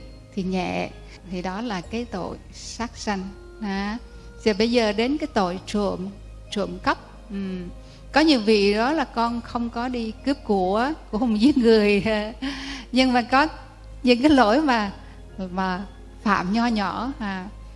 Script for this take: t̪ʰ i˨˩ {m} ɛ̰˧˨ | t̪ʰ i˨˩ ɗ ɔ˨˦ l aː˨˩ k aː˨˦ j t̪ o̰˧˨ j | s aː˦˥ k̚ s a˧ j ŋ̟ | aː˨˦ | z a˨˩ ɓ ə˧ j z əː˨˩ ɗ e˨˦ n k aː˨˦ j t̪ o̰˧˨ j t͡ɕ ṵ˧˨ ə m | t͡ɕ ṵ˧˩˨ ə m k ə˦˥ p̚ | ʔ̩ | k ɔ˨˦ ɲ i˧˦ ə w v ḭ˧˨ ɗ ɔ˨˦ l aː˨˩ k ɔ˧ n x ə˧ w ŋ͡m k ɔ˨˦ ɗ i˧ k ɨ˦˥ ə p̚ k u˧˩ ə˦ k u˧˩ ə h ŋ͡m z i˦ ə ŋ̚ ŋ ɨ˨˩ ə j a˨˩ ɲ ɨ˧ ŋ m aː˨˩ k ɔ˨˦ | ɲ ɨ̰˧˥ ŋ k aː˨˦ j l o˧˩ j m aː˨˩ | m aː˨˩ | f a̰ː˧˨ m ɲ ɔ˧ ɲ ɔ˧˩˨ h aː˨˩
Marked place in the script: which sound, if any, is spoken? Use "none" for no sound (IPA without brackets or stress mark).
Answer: ɲ